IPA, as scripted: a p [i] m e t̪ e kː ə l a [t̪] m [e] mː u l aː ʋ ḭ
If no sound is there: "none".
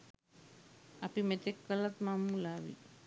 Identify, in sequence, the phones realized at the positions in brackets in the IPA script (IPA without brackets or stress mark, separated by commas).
i, t̪, a